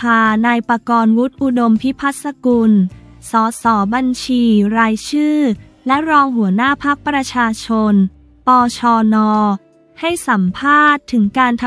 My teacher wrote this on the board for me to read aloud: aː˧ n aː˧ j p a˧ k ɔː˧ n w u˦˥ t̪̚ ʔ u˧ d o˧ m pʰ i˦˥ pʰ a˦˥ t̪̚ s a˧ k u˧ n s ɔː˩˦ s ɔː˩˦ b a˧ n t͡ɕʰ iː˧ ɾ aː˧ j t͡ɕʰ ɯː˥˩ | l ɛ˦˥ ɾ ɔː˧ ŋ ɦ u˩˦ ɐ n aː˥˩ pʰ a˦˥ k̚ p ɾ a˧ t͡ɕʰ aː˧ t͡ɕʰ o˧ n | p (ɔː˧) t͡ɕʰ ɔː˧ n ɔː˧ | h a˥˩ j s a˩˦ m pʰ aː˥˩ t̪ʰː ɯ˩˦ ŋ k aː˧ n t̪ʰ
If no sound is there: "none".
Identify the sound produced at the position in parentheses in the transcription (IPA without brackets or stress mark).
ɔː˧